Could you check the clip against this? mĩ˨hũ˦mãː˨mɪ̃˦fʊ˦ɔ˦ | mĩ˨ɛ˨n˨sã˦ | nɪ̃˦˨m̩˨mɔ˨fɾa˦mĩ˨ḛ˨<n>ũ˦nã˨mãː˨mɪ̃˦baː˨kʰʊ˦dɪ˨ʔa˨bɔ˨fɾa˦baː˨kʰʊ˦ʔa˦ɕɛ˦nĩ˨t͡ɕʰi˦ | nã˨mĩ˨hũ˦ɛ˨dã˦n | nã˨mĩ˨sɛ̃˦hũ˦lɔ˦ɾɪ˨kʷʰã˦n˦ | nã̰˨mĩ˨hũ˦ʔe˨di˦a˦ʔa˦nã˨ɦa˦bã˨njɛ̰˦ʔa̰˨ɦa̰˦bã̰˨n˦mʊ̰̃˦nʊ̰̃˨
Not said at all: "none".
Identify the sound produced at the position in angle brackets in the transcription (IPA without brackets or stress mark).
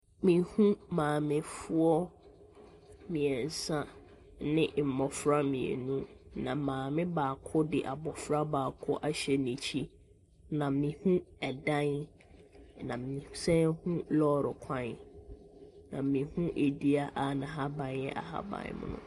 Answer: n